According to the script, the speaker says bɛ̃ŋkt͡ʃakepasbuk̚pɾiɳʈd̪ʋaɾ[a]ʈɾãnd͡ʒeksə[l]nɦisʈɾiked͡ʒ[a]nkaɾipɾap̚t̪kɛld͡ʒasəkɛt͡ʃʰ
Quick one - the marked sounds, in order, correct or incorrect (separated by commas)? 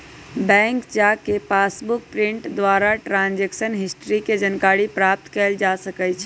correct, incorrect, incorrect